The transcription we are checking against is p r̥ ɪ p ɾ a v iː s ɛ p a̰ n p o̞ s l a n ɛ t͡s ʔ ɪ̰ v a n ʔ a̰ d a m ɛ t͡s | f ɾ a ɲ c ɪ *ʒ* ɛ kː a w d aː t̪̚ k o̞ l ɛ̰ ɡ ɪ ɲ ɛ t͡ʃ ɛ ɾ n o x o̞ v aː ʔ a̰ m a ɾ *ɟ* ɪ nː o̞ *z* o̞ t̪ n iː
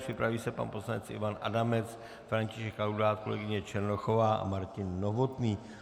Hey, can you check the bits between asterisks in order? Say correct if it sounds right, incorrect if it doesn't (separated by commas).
incorrect, incorrect, incorrect